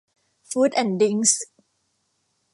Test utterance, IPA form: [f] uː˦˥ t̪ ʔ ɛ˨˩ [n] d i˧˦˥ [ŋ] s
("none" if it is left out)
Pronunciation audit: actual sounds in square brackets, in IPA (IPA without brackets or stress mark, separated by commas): f, n, ŋ